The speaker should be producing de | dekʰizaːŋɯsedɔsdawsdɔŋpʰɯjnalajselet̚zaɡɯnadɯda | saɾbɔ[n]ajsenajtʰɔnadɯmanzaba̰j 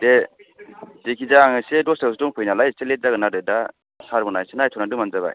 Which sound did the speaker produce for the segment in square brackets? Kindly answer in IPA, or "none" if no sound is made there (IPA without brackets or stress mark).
n